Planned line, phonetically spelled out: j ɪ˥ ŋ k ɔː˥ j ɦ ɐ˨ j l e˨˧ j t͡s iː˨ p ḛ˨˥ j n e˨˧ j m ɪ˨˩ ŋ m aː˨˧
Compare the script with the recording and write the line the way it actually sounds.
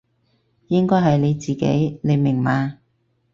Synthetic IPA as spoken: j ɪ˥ ŋ k ɔː˥ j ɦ ɐ˨ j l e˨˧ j t͡s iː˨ k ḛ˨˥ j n e˨˧ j m ɪ˨˩ ŋ m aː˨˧